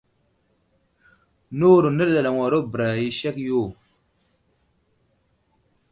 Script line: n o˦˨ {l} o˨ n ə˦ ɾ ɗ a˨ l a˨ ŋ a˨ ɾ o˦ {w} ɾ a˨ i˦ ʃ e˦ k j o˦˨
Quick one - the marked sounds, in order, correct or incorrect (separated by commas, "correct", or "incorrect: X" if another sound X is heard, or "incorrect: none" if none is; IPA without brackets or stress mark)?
incorrect: ɾ, incorrect: b